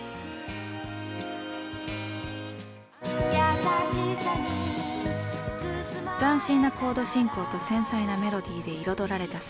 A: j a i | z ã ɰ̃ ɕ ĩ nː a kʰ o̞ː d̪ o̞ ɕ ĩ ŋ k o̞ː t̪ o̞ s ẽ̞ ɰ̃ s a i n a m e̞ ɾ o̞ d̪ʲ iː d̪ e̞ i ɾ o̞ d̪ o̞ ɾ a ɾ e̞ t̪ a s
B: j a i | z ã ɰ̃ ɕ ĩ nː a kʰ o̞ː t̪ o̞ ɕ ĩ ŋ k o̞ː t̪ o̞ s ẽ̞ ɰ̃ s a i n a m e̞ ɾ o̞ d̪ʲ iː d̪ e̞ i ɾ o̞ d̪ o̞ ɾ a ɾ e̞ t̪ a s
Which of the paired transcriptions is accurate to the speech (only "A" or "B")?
A